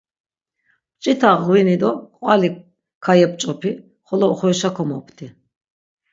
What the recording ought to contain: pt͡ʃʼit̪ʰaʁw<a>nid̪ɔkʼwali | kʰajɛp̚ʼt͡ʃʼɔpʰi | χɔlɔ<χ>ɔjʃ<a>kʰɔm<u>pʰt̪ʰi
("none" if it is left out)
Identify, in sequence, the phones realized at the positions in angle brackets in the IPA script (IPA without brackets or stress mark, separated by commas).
i, χ, a, ɔ